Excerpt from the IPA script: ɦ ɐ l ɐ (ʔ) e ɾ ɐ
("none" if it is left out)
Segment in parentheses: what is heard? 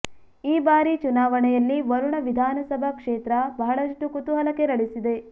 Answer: k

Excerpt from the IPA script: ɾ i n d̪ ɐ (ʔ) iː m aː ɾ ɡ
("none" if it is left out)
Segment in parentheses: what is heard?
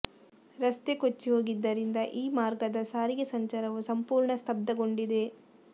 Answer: ʔ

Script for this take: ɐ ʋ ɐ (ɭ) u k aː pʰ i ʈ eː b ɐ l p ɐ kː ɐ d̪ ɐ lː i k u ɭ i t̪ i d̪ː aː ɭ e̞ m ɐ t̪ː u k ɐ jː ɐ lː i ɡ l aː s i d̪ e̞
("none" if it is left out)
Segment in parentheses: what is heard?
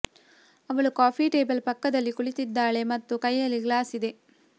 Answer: ɭ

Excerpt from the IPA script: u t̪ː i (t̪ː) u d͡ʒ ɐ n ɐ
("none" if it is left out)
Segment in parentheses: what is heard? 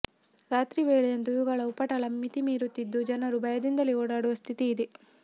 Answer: d̪ː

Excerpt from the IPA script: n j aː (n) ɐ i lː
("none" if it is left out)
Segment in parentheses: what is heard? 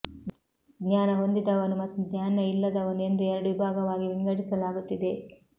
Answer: n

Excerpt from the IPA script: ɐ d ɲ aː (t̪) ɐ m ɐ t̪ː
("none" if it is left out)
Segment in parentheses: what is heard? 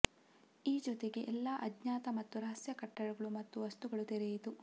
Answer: t̪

